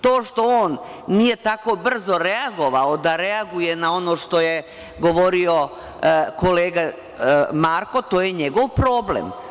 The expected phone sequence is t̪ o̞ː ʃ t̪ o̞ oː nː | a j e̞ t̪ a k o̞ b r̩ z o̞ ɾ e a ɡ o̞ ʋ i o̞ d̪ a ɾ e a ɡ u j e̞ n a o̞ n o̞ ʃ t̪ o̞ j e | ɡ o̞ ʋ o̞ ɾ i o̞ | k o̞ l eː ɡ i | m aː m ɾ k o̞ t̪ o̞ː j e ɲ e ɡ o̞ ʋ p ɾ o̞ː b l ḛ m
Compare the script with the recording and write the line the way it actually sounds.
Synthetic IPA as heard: t̪ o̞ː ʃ t̪ o̞ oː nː | i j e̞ t̪ a k o̞ b r̩ z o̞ ɾ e a ɡ o̞ ʋ a o̞ d̪ a ɾ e a ɡ u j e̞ n a o̞ n o̞ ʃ t̪ o̞ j e | ɡ o̞ ʋ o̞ ɾ i o̞ | k o̞ l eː ɡ a | m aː ɾ k o̞ t̪ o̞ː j e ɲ e ɡ o̞ ʋ p ɾ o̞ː b l ḛ m

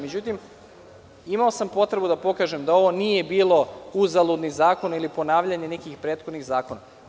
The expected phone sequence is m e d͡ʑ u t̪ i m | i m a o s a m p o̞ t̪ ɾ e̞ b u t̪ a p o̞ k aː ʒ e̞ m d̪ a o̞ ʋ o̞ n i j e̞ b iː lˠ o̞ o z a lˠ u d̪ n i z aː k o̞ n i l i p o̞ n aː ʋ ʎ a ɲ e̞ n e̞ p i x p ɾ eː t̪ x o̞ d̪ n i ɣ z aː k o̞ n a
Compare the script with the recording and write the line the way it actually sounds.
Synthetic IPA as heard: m e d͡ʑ u t̪ i m | i m a o s a m p o̞ t̪ ɾ e̞ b u d̪ a p o̞ k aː ʒ e̞ m d̪ a o̞ ʋ o̞ n i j e̞ b iː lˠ o̞ u z a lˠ u d̪ n i z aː k o̞ n i l i p o̞ n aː ʋ ʎ a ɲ e̞ n e̞ k i x p ɾ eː t̪ x o̞ d̪ n i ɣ z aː k o̞ n a

